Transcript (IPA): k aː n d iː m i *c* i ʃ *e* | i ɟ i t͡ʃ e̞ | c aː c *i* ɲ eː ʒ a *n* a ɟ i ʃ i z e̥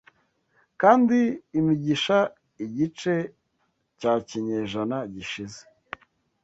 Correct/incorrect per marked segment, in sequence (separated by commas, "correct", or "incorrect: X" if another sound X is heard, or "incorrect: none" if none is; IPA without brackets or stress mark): incorrect: ɟ, incorrect: a, correct, correct